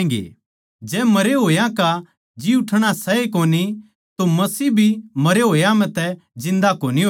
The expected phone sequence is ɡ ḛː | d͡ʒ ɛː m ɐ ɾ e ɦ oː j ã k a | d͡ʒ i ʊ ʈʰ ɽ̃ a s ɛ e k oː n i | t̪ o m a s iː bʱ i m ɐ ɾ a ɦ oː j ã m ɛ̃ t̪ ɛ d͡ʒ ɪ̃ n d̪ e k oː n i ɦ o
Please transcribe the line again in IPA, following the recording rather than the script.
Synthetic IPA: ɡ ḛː | d͡ʒ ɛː m ɐ ɾ e ɦ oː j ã k a | d͡ʒ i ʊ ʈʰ ɽ̃ a s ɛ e k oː n i | t̪ o m ɐ s iː bʱ i m ɐ ɾ e ɦ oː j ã m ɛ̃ t̪ ɛ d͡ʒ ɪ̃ n d̪ a k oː n i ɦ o